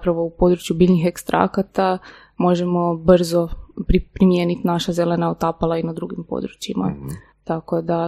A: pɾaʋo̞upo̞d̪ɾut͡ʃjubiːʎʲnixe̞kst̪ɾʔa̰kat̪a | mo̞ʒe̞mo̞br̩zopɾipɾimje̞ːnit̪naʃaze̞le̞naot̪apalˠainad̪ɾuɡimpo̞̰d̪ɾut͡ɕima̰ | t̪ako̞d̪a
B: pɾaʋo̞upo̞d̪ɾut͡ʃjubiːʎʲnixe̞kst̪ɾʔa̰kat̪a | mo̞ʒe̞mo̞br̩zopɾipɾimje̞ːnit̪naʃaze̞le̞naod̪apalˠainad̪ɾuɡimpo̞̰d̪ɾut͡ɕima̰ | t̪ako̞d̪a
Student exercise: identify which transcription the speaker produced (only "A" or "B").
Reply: A